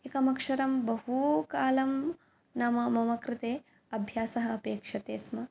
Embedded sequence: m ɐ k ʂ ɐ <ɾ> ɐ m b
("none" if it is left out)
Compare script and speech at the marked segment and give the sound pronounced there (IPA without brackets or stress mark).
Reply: ɾ